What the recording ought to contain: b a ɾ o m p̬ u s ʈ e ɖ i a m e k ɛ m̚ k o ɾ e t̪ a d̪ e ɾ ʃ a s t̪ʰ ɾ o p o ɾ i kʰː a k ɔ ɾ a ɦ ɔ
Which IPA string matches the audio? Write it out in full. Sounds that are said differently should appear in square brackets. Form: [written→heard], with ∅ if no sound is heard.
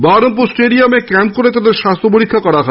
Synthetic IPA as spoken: b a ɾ o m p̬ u s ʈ e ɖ i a m e k ɛ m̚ k o ɾ e t̪ a d̪ e ɾ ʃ a s t̪ʰ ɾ o p o ɾ i kʰː a k ɔ ɾ a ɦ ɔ